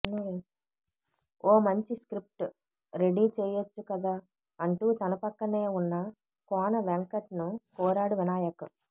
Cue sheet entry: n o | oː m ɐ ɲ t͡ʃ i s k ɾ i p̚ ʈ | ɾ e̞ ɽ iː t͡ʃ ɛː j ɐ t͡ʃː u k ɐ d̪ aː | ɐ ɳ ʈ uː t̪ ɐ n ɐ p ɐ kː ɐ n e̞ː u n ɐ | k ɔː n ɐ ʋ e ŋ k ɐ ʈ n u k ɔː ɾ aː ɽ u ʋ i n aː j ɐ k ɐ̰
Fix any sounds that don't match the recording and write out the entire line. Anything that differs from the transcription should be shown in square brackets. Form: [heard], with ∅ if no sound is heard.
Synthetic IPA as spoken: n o | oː m ɐ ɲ t͡ʃ i s k ɾ i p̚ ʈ | ɾ e̞ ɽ iː t͡ʃ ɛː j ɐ t͡ʃː u k ɐ d̪ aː | ɐ ɳ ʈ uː t̪ ɐ n ɐ p ɐ kː ɐ n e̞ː u [nː] ɐ | k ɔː n ɐ ʋ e ŋ k ɐ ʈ n u k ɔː ɾ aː ɽ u ʋ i n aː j ɐ k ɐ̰